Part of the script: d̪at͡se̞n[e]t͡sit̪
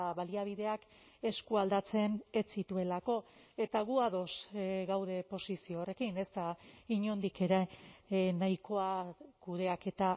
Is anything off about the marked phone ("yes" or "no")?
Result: no